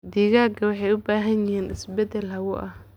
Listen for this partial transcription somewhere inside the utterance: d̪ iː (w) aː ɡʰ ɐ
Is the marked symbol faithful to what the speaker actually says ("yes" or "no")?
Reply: no